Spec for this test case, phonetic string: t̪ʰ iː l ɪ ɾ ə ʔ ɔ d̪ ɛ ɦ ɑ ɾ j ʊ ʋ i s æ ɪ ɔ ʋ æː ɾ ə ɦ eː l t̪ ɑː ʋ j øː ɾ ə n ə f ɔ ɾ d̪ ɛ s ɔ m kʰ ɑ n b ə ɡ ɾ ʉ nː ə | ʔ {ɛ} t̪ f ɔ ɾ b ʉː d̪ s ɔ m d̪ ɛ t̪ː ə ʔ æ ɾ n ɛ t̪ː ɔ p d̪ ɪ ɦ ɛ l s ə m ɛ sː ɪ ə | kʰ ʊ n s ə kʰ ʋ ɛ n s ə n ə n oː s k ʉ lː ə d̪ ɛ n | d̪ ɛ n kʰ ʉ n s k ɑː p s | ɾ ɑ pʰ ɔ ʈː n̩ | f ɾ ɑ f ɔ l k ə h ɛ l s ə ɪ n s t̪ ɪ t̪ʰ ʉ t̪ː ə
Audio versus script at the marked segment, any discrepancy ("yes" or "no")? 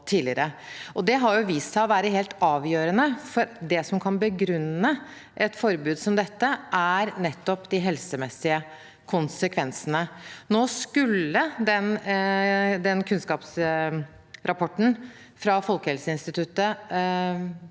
no